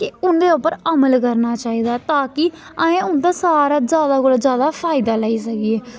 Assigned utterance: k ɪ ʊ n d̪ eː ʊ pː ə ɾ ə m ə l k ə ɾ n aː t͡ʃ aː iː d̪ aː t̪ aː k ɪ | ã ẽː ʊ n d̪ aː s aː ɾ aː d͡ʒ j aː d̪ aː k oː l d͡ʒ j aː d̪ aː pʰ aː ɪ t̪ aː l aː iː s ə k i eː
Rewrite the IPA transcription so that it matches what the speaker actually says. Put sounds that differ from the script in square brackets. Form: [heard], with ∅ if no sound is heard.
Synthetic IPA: k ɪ ʊ n d̪ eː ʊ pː ə ɾ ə m ə l k ə ɾ n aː t͡ʃ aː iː d̪ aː t̪ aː k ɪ | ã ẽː ʊ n d̪ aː s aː ɾ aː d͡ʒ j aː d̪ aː k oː l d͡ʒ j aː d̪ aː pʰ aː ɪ [d̪] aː l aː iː s ə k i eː